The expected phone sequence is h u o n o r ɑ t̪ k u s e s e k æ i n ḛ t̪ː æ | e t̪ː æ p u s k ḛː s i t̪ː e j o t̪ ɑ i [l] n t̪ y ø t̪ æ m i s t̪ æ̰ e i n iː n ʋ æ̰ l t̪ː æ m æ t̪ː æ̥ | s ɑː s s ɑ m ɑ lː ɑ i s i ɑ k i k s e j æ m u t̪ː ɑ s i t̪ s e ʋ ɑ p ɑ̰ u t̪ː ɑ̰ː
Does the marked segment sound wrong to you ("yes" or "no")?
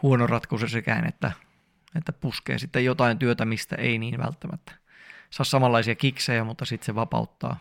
yes